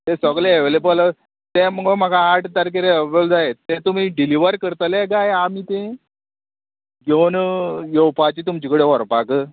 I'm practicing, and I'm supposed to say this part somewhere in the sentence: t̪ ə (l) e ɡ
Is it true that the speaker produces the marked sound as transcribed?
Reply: yes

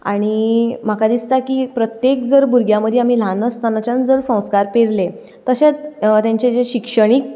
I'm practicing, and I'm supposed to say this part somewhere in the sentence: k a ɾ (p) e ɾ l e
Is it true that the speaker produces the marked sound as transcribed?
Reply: yes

